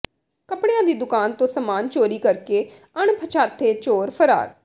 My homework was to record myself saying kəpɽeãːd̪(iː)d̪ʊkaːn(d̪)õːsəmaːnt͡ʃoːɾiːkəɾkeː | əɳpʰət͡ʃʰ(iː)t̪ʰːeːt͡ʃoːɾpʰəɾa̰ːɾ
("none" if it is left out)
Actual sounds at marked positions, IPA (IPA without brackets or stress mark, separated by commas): iː, t̪, aː